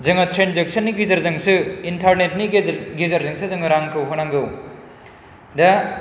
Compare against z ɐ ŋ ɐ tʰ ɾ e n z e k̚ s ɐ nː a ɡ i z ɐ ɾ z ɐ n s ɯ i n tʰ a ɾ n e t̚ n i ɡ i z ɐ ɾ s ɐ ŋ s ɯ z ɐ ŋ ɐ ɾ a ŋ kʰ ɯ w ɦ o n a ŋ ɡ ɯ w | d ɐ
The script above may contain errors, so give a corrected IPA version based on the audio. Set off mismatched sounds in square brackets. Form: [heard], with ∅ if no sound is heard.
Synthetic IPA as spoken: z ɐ ŋ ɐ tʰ ɾ e n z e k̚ s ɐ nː [i] ɡ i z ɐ ɾ z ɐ [ŋ] s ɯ i n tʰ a ɾ n e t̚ n i ɡ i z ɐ ɾ [z] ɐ ŋ s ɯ z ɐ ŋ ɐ ɾ a ŋ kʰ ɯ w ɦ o n a ŋ ɡ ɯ w | d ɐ